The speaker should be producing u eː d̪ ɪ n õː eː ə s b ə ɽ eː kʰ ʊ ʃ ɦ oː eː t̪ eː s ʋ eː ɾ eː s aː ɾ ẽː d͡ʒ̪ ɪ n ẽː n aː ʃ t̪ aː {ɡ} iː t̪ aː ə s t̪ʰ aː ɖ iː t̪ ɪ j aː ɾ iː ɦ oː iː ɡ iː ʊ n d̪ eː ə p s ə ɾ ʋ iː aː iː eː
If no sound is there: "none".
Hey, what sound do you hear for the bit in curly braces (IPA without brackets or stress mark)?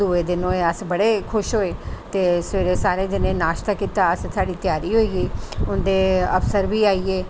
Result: k